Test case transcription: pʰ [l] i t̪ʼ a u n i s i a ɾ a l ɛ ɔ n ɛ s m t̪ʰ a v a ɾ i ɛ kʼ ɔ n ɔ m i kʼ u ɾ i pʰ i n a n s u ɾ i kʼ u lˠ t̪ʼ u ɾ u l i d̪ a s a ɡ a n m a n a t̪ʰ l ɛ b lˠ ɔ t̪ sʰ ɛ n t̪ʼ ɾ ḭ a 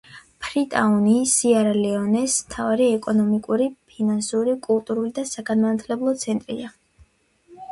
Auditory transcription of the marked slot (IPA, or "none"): ɾ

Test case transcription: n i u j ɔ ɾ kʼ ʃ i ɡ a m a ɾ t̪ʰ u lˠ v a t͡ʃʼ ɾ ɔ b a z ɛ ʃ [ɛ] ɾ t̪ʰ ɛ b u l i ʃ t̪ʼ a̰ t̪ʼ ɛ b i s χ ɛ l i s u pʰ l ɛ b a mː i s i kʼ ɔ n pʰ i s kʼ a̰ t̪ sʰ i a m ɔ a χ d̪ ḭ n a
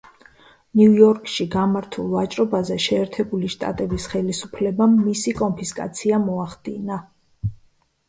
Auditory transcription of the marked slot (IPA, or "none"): ɛː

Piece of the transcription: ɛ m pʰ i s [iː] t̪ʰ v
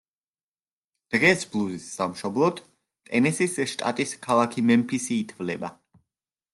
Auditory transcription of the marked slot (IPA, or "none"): iː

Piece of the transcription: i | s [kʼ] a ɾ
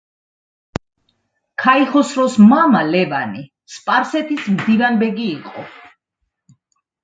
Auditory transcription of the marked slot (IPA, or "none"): pʼ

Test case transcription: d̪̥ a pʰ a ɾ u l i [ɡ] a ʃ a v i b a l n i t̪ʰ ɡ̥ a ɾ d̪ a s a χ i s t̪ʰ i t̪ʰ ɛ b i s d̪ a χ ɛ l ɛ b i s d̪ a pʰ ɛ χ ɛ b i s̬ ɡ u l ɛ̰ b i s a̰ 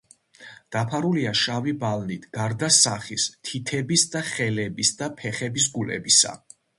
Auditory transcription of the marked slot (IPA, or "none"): none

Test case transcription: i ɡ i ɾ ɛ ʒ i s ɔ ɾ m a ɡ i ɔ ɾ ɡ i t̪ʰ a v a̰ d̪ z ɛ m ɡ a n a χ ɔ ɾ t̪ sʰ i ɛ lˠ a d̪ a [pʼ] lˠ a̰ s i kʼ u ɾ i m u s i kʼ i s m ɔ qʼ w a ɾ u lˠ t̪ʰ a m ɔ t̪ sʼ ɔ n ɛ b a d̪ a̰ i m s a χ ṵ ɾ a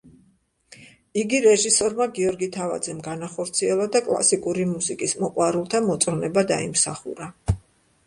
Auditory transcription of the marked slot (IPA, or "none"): kʼ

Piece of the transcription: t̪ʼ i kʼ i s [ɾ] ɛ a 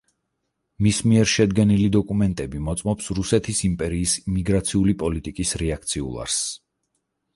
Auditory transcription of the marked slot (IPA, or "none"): ɾ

